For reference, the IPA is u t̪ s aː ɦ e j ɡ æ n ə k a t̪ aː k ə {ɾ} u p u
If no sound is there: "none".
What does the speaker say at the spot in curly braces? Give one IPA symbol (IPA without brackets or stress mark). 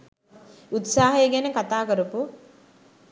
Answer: ɾ